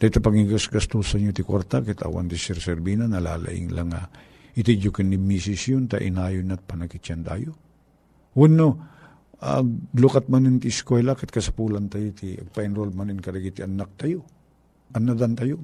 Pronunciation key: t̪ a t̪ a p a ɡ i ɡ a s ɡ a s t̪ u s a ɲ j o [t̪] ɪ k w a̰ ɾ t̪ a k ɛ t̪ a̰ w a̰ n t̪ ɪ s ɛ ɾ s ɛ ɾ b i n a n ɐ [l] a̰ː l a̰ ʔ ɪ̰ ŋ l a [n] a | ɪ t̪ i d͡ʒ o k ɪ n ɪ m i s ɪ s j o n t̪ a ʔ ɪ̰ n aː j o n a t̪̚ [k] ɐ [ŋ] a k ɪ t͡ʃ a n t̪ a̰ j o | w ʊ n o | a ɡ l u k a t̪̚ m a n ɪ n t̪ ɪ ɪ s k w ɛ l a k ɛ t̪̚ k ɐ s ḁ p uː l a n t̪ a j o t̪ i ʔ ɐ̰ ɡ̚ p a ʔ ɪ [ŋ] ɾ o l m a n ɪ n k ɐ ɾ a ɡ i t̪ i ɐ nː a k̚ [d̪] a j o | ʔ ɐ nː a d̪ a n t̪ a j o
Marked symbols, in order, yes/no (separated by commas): yes, yes, no, no, no, no, no